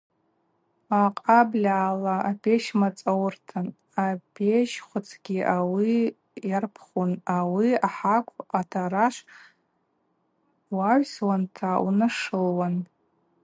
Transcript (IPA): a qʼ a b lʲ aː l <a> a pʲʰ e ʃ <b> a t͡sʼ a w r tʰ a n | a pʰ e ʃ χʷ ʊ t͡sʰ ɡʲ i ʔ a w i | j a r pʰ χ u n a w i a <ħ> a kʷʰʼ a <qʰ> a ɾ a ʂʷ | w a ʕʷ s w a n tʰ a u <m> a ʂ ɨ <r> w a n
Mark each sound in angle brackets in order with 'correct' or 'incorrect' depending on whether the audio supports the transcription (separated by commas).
correct, incorrect, correct, incorrect, incorrect, incorrect